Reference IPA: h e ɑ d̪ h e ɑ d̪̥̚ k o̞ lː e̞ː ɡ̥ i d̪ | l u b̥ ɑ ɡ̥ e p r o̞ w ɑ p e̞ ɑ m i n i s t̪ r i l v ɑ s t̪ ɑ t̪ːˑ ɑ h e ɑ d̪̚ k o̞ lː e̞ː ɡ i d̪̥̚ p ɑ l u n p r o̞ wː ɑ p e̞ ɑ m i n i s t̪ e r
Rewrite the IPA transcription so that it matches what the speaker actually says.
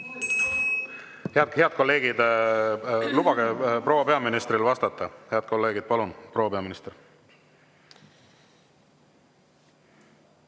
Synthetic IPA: h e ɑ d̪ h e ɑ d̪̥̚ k o̞ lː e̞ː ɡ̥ i d̪ | l u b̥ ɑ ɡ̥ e p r o̞ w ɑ p e̞ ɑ m i n i s t̪ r i l v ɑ s t̪ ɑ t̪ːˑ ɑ h e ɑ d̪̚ k o̞ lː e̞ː ɡ i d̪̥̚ p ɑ l u n p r o̞ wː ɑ p e̞ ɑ m i n i s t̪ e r